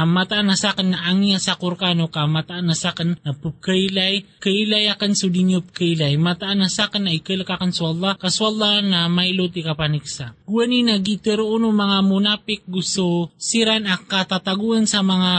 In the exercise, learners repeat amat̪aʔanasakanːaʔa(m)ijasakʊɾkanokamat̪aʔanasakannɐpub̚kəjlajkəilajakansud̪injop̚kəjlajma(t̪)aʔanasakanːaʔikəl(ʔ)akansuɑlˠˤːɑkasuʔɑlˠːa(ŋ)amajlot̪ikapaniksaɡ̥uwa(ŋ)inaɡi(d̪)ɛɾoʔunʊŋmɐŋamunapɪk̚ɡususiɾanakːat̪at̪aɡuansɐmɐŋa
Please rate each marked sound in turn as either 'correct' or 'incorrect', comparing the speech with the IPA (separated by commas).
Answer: incorrect, correct, incorrect, incorrect, incorrect, incorrect